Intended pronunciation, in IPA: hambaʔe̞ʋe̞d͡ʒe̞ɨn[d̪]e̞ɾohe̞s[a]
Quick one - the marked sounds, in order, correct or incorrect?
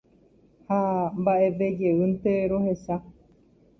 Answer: incorrect: t̪, correct

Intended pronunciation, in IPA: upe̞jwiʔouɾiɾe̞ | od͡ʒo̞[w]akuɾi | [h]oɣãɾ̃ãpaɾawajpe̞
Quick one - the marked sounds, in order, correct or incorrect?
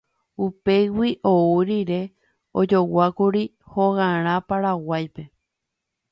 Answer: correct, correct

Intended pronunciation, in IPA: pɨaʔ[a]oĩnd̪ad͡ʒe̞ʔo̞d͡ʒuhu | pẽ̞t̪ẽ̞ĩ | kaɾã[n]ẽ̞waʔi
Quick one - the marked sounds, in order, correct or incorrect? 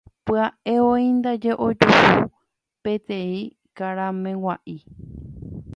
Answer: incorrect: e, incorrect: m

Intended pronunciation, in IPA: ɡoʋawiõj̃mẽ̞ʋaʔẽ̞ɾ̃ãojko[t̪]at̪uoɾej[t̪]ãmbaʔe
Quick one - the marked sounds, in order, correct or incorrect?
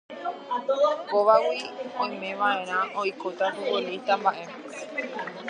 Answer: correct, correct

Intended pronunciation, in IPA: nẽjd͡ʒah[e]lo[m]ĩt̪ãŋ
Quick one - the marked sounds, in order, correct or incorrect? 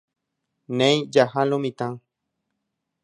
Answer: incorrect: a, correct

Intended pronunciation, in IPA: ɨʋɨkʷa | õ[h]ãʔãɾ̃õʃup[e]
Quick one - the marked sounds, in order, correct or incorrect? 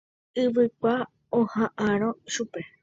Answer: correct, correct

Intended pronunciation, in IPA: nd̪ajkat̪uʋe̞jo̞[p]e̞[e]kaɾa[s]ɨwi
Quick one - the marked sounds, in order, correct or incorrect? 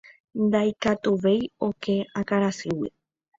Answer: incorrect: k, incorrect: a, correct

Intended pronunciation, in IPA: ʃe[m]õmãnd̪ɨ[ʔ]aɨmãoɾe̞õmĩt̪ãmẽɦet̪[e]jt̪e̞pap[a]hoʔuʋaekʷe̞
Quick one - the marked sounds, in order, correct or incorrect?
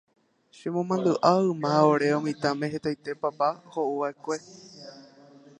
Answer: correct, correct, incorrect: a, correct

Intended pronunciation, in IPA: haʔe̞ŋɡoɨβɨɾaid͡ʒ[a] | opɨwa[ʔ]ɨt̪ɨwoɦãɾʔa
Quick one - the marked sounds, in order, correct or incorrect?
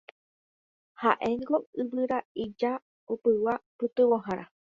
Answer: correct, incorrect: p

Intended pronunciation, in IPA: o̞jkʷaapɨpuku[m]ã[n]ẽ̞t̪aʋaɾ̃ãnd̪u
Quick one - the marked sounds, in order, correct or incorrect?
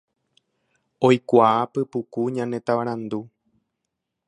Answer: incorrect: ɲ, correct

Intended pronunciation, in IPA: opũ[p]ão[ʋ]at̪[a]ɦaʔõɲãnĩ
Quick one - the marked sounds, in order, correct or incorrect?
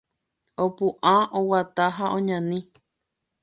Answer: incorrect: ʔ, incorrect: w, correct

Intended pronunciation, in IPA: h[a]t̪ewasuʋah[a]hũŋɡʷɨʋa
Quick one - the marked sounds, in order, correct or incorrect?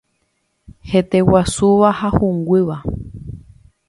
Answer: incorrect: e, correct

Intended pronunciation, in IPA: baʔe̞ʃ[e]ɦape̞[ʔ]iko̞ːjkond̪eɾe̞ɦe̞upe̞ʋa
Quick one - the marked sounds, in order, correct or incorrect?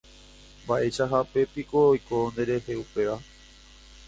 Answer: incorrect: a, incorrect: p

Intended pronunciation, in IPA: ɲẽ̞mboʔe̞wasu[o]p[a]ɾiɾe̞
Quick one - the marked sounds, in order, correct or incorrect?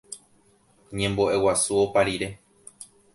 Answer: correct, correct

